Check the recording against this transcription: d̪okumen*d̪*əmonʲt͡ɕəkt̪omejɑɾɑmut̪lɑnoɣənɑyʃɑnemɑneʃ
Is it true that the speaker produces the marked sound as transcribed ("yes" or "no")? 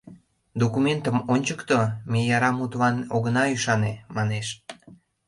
no